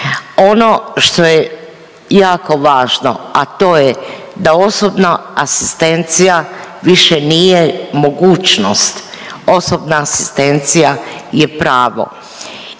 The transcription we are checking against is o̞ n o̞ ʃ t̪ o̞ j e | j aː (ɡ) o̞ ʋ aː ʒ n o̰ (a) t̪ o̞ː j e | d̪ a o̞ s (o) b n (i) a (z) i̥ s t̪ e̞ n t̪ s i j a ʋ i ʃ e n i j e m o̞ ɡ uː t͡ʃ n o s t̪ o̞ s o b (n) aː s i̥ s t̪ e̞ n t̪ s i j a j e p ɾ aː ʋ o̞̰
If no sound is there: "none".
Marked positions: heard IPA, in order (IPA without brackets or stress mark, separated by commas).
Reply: k, a, o, a, s, n